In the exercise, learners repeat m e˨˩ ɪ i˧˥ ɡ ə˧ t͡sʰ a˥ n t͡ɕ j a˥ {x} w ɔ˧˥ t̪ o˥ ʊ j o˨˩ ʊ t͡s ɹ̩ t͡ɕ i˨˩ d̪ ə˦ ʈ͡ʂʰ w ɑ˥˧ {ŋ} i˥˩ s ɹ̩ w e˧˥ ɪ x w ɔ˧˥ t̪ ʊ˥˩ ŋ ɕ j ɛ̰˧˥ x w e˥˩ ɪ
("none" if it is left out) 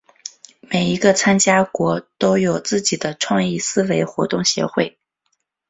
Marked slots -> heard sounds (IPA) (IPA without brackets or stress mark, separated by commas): k, ŋ